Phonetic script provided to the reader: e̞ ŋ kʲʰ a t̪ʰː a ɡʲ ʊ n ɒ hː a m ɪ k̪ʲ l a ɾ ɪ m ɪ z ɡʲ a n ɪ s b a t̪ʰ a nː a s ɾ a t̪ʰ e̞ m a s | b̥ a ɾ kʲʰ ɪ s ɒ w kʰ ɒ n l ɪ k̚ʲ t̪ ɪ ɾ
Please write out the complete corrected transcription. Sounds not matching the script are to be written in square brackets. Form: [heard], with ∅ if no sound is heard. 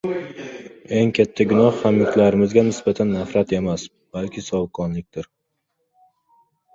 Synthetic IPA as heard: e̞ ŋ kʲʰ a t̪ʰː a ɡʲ ʊ n ɒ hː a m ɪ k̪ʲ l a ɾ ɪ m ɪ z ɡʲ a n ɪ s b a t̪ʰ a nː a [f] ɾ a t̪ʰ e̞ m a s | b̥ a [l] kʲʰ ɪ s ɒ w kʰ ɒ n l ɪ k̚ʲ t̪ ɪ ɾ

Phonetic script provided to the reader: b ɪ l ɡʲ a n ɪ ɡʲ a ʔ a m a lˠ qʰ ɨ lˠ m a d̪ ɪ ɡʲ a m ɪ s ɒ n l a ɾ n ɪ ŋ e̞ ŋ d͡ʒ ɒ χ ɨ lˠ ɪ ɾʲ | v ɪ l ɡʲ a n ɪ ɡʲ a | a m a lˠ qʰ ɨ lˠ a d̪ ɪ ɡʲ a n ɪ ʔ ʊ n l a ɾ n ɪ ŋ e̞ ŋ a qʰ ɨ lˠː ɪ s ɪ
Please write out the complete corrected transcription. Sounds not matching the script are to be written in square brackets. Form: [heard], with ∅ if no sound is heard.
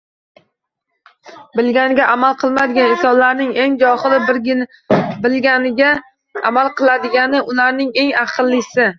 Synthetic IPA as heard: b ɪ l ɡʲ a n ɪ ɡʲ a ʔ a m a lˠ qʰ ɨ lˠ m a d̪ ɪ ɡʲ a [n] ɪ s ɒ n l a ɾ n ɪ ŋ e̞ ŋ d͡ʒ ɒ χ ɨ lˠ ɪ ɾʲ | [b] ɪ l ɡʲ a n ɪ ɡʲ a | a m a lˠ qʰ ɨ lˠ a d̪ ɪ ɡʲ a n ɪ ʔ ʊ [∅] l a ɾ n ɪ ŋ e̞ ŋ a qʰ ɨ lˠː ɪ s ɪ

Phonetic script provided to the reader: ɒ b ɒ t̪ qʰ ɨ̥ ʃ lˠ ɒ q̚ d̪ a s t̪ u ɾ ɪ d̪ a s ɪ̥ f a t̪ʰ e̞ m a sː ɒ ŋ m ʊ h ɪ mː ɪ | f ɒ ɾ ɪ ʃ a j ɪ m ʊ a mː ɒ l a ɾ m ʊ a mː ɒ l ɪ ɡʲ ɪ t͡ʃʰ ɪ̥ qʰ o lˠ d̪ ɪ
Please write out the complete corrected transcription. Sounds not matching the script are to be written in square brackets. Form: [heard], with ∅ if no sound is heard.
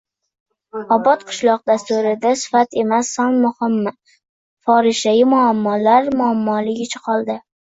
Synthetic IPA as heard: ɒ b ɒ t̪ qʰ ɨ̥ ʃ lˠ ɒ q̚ d̪ a s t̪ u ɾ ɪ d̪ a s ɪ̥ f a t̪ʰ e̞ m a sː ɒ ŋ m ʊ h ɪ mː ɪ | f ɒ ɾ ɪ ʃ a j ɪ m ʊ a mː ɒ l a ɾ m ʊ a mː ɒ l ɪ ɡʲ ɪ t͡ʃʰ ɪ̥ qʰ [ɒ] lˠ d̪ ɪ

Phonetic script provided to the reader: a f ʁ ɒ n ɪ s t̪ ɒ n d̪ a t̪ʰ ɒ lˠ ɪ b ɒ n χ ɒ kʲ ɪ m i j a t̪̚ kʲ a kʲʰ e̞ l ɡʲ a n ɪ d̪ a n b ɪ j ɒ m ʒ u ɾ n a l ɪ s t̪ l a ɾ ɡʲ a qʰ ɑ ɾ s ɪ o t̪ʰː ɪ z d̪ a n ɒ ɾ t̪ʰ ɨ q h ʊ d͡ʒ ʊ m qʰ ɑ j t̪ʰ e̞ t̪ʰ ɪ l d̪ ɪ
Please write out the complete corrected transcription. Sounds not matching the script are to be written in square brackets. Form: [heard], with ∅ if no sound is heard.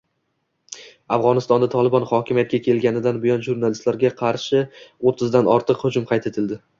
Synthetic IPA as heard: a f ʁ ɒ n ɪ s t̪ ɒ n d̪ a t̪ʰ ɒ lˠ ɪ b ɒ n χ ɒ kʲ ɪ m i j a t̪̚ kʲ a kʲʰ e̞ l ɡʲ a n ɪ d̪ a n b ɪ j ɒ [n] ʒ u ɾ n a l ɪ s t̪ l a ɾ ɡʲ a qʰ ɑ ɾ [ʃ] ɪ o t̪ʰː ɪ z d̪ a n ɒ ɾ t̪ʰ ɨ q h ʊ d͡ʒ ʊ m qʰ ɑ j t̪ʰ e̞ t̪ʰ ɪ l d̪ ɪ

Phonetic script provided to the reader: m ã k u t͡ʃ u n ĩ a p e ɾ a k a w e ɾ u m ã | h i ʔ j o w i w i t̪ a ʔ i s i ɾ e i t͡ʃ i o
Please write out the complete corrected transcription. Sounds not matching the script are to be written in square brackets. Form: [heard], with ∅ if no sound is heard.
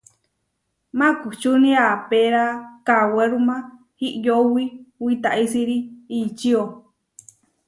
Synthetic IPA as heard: m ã k u t͡ʃ u n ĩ a p e ɾ a k a w e ɾ u m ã | h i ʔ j o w i w i t̪ a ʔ i s i ɾ [i] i t͡ʃ i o

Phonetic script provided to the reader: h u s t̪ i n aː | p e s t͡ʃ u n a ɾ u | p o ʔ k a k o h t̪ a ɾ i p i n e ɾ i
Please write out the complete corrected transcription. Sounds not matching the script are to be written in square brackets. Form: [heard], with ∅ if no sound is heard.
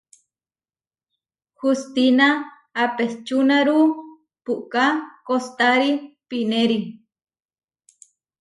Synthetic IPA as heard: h u s t̪ i n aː | p e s t͡ʃ u n a ɾ u | p [u] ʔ k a k o [s] t̪ a ɾ i p i n e ɾ i

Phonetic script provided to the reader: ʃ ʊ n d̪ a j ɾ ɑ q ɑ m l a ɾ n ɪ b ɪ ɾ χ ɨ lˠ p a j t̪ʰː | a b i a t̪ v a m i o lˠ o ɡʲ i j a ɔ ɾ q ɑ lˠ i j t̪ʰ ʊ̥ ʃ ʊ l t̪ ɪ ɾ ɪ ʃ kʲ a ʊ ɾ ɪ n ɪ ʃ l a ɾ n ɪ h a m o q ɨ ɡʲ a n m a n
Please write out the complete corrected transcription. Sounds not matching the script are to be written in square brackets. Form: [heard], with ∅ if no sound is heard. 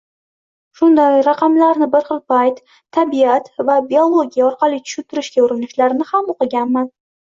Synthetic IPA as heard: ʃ ʊ n d̪ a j ɾ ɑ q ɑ m l a ɾ n ɪ b ɪ ɾ χ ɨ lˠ p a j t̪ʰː | a b i a t̪ v a [b] i o lˠ o ɡʲ i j a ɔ ɾ q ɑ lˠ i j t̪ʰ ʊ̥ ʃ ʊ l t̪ ɪ ɾ ɪ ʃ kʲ a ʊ ɾ ɪ n ɪ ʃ l a ɾ n ɪ h a m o q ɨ ɡʲ a n m a n

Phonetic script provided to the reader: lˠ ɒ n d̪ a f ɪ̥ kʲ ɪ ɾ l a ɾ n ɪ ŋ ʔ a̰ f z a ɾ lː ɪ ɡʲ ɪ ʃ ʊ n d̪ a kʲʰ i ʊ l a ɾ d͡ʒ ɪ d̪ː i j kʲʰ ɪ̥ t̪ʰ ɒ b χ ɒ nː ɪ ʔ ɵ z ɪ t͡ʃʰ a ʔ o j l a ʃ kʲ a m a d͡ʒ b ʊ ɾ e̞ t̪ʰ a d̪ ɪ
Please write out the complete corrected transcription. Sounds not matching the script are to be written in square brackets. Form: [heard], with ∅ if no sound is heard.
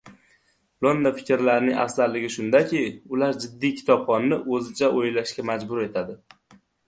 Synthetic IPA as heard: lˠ [o] n d̪ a f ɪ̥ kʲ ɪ ɾ l a ɾ n ɪ ŋ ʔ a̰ f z a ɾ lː ɪ ɡʲ ɪ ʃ ʊ n d̪ a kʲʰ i ʊ l a ɾ d͡ʒ ɪ d̪ː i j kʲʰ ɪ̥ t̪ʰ ɒ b χ ɒ nː ɪ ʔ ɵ z ɪ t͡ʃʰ a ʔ o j l a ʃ kʲ a m a d͡ʒ b ʊ ɾ e̞ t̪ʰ a d̪ ɪ

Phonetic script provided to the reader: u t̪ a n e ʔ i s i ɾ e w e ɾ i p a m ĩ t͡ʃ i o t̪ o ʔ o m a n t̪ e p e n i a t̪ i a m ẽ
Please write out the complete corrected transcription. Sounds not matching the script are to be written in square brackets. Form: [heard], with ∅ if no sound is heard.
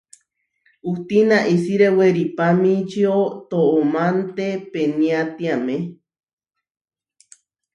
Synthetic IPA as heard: u t̪ [i] n [a] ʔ i s i ɾ e w e ɾ i p a m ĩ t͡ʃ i o t̪ o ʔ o m a n t̪ e p e n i a t̪ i a m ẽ

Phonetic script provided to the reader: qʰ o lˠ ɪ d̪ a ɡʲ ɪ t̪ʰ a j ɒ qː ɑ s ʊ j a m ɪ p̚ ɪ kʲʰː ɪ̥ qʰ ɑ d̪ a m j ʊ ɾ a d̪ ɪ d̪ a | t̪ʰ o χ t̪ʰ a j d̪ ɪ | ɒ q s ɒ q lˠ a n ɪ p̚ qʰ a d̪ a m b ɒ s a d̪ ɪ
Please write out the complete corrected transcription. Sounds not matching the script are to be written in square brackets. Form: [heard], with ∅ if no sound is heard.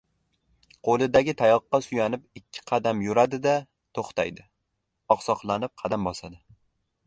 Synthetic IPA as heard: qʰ o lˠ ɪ d̪ a ɡʲ ɪ t̪ʰ a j ɒ qː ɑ s ʊ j a [n] ɪ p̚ ɪ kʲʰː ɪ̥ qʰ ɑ d̪ a m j ʊ ɾ a d̪ ɪ d̪ a | t̪ʰ o χ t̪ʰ a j d̪ ɪ | ɒ q s ɒ q lˠ a n ɪ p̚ qʰ [ɑ] d̪ a m b ɒ s a d̪ ɪ

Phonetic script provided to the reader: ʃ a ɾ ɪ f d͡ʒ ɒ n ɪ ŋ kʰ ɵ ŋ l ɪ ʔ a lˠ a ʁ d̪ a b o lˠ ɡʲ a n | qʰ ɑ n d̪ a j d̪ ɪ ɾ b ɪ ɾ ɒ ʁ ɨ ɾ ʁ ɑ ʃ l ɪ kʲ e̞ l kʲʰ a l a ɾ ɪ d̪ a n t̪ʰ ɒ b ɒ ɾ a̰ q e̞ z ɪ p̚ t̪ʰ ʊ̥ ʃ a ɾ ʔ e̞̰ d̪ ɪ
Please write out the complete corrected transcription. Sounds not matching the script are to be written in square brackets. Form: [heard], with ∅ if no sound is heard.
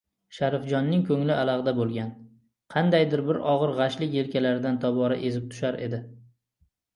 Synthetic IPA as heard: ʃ a ɾ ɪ f d͡ʒ ɒ [nː] ɪ ŋ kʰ ɵ ŋ l ɪ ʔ a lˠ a ʁ d̪ a b o lˠ ɡʲ a n | qʰ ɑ n d̪ a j d̪ ɪ ɾ b ɪ ɾ ɒ ʁ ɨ ɾ ʁ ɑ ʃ l ɪ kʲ e̞ l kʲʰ a l a ɾ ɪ d̪ a n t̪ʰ ɒ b ɒ ɾ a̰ [ʔ] e̞ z ɪ p̚ t̪ʰ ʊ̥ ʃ a ɾ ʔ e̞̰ d̪ ɪ

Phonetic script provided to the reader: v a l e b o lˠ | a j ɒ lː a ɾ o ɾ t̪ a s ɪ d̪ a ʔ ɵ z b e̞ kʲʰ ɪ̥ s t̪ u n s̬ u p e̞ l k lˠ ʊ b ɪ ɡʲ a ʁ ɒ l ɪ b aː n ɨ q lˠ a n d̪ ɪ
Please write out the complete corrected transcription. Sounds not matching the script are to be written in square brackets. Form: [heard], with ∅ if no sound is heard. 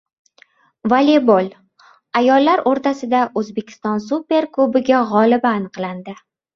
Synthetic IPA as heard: v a l e b o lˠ | a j ɒ lː a ɾ o ɾ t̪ a s ɪ d̪ a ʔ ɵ z b e̞ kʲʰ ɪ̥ s t̪ [ɒ] n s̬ u p e̞ [ɾ] k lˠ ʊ b ɪ ɡʲ a ʁ ɒ l ɪ b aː n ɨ q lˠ a n d̪ ɪ

